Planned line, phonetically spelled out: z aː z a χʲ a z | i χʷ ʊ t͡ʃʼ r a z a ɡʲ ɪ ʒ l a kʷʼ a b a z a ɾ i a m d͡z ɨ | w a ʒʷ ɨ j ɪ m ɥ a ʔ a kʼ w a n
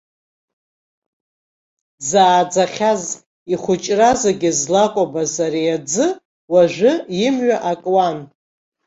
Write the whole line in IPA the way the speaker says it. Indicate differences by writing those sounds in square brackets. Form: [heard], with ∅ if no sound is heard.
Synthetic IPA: z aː [d͡z] a χʲ a z | i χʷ ʊ t͡ʃʼ r a z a ɡʲ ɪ [z] l a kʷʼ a b a z a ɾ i a [∅] d͡z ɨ | w a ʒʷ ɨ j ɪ m ɥ a ʔ a kʼ w a n